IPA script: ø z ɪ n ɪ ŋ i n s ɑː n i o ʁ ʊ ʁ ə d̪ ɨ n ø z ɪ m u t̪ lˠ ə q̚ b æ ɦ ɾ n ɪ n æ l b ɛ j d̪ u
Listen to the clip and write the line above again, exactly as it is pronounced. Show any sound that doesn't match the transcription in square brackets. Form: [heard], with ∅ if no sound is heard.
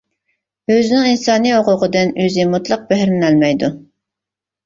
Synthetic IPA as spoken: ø z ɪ n ɪ ŋ i n s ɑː n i o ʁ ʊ ʁ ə d̪ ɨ n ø z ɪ m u t̪ lˠ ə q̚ b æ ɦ ɾ n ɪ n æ l [m] ɛ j d̪ u